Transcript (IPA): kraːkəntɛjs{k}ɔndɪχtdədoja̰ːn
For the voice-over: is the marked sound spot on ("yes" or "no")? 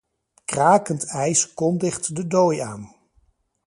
yes